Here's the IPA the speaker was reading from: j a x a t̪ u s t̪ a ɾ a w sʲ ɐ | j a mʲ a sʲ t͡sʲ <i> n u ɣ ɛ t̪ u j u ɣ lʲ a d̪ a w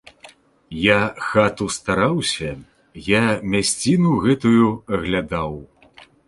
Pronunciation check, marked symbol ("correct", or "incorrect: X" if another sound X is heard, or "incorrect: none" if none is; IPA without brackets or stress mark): correct